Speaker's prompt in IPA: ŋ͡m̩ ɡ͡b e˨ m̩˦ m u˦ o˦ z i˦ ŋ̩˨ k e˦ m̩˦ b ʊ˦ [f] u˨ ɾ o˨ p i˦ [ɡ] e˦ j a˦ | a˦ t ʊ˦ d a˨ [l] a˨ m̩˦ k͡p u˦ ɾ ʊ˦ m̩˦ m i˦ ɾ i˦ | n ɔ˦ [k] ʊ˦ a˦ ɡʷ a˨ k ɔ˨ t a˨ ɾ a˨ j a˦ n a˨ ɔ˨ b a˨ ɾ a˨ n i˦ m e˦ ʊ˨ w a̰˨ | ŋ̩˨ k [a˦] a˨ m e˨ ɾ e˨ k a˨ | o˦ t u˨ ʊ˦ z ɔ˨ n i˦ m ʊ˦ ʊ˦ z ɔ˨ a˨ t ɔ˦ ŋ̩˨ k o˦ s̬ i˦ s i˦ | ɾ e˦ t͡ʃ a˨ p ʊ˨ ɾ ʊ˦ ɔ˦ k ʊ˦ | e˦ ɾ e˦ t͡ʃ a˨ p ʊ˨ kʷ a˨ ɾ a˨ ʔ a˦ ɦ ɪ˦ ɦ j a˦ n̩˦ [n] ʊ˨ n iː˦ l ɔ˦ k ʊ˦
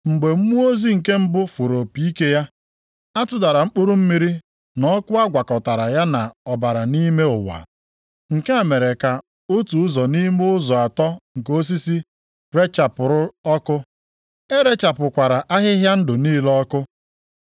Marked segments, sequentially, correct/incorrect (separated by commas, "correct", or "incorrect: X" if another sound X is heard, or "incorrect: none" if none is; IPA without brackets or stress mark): correct, incorrect: k, incorrect: ɾ, correct, incorrect: e˦, incorrect: d